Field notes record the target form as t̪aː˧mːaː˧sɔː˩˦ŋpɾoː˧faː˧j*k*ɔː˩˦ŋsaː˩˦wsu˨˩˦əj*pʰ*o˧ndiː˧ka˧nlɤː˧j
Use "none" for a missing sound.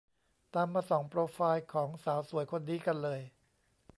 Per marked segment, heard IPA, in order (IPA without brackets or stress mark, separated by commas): kʰ, kʰ